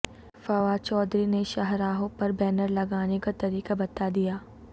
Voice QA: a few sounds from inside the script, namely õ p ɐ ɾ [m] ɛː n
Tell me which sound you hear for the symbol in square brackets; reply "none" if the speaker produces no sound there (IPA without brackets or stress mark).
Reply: b